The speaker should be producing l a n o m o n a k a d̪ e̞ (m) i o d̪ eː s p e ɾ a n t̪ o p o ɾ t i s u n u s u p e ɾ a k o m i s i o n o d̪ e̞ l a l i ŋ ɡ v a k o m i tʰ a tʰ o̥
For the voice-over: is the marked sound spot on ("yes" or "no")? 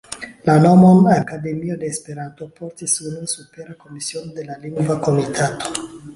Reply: yes